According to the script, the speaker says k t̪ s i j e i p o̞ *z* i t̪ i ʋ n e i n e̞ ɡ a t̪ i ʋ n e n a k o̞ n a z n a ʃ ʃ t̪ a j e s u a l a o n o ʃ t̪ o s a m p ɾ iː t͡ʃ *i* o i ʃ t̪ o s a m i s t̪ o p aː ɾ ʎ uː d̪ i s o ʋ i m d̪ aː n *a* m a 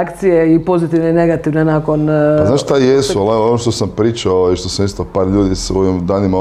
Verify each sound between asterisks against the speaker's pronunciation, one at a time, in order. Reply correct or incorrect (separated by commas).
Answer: correct, incorrect, incorrect